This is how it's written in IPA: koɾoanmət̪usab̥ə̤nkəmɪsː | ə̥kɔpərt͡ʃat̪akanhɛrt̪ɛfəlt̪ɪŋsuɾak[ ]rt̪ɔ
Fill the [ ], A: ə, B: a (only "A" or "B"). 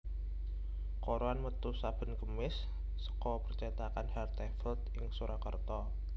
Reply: A